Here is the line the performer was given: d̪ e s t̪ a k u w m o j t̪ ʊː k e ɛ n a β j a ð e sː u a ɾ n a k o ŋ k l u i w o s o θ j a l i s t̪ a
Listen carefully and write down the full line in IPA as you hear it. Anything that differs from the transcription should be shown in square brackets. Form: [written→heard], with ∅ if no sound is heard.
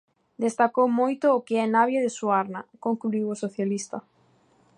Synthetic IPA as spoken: d̪ e s t̪ a k [u→o] w m o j t̪ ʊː k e ɛ n a β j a ð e [sː→s] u a ɾ n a k o ŋ k l u i w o s o θ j a l i s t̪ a